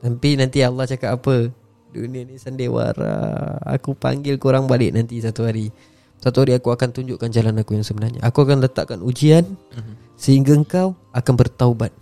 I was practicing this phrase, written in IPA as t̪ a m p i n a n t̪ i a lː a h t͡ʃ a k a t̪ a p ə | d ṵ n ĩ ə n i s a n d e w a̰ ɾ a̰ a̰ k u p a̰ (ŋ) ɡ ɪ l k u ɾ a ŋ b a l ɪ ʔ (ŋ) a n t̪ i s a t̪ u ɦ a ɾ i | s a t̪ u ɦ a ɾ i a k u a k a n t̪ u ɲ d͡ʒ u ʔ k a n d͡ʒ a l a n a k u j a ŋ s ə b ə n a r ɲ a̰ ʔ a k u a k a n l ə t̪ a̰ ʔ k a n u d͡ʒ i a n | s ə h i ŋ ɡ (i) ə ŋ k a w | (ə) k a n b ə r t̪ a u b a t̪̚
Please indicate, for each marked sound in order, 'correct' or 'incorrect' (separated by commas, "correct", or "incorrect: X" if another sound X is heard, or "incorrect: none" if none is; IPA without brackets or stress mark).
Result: correct, incorrect: n, incorrect: a, incorrect: a